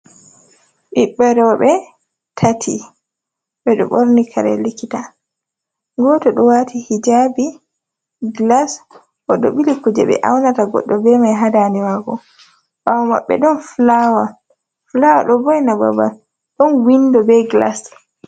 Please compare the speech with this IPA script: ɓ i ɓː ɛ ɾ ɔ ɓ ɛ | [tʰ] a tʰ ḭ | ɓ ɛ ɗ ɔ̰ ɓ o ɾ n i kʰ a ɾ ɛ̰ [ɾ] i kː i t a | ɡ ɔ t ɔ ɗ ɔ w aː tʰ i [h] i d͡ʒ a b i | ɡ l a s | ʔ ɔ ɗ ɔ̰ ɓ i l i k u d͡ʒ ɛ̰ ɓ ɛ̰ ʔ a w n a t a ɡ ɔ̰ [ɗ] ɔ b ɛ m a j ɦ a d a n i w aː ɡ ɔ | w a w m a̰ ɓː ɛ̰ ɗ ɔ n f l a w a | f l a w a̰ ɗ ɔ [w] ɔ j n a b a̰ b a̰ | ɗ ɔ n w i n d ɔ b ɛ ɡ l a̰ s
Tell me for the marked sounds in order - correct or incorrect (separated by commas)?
correct, incorrect, correct, incorrect, incorrect